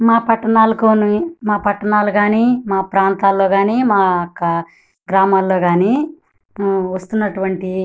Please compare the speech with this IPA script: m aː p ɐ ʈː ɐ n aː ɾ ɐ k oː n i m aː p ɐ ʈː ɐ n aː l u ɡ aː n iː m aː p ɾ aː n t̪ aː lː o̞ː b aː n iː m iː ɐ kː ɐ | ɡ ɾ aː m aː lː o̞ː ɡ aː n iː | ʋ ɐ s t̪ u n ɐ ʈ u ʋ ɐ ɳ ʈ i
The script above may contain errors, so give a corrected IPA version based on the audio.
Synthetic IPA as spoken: m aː p ɐ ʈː ɐ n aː l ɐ k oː n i m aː p ɐ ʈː ɐ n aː l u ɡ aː n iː m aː p ɾ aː n t̪ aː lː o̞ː ɡ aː n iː m aː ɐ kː ɐ | ɡ ɾ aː m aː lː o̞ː ɡ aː n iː | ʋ ɐ s t̪ u nː ɐ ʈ u ʋ ɐ ɳ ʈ i